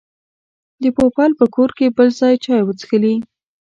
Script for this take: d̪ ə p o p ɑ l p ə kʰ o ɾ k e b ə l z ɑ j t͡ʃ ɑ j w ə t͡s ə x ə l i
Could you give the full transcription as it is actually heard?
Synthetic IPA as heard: d̪ ə p o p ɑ l p ə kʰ o ɾ k e b ə l z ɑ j t͡ʃ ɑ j w ə t͡s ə x ə l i